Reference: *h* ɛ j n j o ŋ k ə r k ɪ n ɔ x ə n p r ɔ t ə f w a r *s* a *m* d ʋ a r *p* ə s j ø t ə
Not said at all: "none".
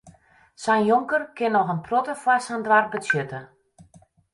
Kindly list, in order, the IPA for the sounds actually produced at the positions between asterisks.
s, s, n, b

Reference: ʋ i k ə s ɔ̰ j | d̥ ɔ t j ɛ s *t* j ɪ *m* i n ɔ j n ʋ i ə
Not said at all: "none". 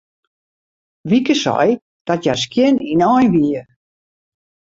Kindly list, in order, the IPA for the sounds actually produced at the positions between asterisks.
k, n

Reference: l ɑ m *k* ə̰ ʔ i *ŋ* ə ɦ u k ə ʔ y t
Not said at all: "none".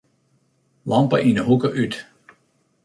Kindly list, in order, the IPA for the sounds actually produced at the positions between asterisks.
p, n

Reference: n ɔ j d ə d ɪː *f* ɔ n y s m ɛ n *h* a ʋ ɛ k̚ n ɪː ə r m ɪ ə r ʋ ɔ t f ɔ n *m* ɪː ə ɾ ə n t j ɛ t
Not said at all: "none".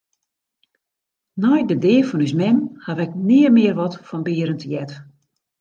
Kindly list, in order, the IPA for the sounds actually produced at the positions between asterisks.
f, h, b

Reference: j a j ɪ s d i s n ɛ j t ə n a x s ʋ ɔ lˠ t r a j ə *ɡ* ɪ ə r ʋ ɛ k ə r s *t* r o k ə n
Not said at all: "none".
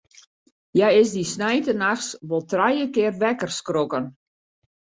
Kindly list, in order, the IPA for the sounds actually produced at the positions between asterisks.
k, k

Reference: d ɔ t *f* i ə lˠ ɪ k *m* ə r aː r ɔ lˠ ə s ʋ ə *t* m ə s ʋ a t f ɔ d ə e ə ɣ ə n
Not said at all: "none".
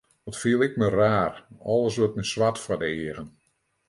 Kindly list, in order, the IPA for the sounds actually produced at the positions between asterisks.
f, m, t

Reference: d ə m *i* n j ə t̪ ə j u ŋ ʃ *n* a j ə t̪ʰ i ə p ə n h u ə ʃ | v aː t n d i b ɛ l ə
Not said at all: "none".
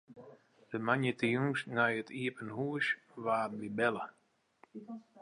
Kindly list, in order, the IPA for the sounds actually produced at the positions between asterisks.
a, n

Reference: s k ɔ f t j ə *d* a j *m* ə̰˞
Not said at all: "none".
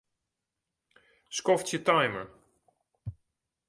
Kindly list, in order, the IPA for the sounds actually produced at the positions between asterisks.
t, m

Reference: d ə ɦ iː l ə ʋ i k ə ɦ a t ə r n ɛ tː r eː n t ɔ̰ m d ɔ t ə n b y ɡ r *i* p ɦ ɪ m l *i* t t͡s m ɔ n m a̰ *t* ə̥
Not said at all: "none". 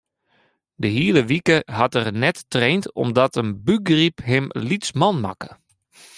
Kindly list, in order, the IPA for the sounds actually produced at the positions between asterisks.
i, i, k

